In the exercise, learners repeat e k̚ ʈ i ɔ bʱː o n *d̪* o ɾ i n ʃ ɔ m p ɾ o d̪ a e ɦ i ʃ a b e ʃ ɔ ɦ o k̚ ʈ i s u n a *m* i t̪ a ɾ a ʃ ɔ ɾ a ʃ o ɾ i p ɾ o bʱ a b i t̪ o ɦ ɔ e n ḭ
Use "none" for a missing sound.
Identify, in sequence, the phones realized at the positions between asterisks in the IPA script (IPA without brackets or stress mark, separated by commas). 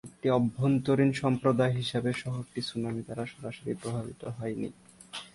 t̪, m